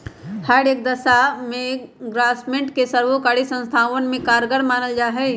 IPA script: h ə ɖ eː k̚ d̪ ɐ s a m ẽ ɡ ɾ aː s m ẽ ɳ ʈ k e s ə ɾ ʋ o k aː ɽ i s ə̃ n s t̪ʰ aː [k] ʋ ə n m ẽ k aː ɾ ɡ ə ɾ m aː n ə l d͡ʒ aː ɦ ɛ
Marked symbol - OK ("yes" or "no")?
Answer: no